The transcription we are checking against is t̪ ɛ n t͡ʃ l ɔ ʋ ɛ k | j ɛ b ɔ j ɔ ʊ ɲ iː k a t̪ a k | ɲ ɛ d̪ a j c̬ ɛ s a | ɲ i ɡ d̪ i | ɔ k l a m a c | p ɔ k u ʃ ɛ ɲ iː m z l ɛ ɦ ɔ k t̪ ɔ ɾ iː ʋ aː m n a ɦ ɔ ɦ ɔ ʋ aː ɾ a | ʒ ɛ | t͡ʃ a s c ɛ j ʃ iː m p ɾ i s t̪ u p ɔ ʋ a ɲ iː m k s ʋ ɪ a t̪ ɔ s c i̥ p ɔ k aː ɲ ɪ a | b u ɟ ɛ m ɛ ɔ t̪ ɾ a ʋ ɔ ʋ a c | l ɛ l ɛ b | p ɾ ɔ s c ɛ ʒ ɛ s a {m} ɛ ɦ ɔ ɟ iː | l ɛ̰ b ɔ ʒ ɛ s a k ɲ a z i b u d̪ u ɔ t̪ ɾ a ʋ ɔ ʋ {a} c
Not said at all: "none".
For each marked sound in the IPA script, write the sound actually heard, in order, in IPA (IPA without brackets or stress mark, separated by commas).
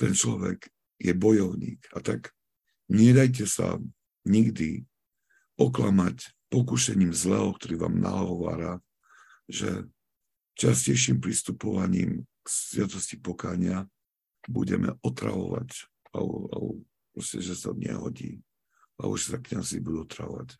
ɲ, a